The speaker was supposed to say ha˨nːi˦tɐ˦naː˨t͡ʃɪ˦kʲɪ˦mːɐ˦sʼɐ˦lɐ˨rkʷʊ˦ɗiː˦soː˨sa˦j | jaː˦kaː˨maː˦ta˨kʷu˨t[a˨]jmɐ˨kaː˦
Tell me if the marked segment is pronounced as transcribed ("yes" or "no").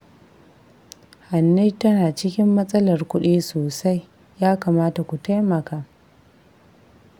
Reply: no